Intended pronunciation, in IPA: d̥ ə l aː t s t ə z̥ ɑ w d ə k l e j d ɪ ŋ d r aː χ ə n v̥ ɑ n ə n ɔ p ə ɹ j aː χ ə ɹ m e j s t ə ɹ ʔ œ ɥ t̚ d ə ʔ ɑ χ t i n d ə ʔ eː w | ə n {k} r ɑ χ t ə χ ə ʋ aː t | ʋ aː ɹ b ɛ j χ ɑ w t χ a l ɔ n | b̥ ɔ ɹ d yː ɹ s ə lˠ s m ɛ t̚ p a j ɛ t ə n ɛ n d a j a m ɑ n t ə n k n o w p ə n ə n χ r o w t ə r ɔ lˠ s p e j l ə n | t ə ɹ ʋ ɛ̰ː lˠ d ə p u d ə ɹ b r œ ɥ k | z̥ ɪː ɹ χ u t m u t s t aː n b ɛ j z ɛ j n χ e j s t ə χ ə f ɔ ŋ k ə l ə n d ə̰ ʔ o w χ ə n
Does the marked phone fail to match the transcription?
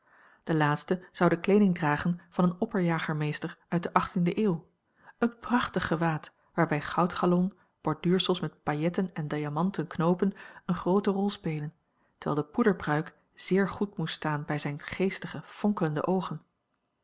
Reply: yes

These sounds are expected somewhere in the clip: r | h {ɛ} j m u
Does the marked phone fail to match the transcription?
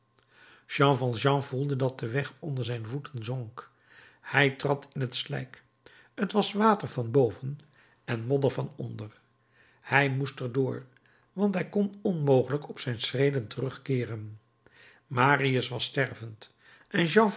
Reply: no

